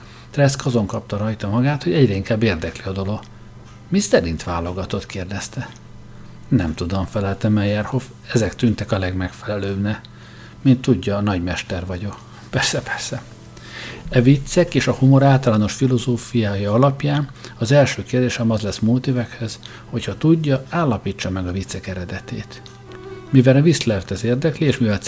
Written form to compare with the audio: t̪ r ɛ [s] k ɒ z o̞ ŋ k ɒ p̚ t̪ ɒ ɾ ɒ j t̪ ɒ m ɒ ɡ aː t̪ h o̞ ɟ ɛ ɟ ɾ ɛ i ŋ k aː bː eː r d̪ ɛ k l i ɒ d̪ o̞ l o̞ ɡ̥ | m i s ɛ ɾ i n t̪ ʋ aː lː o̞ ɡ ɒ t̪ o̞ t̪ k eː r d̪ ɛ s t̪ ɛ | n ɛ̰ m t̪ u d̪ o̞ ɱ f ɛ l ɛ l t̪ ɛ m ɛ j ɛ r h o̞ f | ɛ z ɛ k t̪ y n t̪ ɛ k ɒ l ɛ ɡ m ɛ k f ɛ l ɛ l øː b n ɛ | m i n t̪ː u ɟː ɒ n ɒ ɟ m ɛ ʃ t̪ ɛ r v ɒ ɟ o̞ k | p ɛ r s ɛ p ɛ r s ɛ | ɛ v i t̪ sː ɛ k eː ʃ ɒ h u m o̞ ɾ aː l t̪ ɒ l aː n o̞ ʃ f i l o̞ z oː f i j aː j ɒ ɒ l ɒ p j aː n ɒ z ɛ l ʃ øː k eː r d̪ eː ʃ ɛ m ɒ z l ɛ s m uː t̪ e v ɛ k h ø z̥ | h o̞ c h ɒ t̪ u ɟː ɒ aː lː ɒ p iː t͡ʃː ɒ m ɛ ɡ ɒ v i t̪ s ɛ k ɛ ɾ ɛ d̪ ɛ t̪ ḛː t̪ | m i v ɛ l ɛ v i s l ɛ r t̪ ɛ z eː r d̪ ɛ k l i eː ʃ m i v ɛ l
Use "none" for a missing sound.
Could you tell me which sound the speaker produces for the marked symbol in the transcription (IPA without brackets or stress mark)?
s